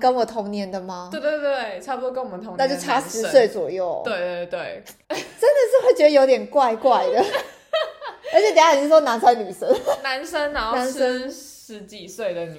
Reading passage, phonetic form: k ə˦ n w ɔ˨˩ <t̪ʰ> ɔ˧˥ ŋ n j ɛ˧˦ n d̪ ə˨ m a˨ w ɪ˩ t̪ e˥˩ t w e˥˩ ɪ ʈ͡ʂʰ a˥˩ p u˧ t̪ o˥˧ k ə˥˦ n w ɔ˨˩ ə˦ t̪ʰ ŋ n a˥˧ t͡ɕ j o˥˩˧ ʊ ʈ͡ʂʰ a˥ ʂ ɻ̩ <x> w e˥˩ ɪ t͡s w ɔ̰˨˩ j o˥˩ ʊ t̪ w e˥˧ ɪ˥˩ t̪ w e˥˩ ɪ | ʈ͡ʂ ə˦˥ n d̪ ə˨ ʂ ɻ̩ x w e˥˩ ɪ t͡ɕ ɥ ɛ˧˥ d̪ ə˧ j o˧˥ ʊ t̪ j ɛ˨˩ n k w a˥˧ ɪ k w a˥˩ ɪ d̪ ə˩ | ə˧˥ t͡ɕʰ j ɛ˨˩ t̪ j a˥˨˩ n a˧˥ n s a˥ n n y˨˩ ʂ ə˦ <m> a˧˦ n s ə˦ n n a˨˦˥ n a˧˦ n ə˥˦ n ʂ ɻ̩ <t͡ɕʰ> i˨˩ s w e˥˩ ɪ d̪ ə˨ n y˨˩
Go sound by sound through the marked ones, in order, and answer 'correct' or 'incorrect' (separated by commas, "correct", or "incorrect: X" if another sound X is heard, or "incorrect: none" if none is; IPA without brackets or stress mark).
correct, incorrect: s, incorrect: n, incorrect: t͡ɕ